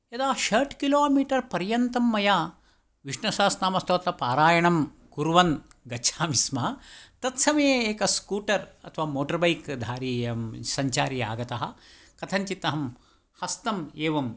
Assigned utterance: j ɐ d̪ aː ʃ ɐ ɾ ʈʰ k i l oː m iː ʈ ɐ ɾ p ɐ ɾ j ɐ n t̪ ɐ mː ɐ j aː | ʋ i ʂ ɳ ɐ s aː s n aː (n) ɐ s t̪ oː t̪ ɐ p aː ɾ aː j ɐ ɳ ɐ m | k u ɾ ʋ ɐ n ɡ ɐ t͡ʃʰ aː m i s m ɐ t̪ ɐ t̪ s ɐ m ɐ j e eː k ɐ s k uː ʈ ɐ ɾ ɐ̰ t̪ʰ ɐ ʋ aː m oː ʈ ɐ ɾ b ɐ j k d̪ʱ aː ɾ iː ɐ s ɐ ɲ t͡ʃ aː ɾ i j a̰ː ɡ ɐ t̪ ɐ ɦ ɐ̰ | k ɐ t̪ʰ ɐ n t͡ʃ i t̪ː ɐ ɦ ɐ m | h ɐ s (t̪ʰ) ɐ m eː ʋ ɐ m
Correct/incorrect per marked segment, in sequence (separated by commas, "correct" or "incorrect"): incorrect, incorrect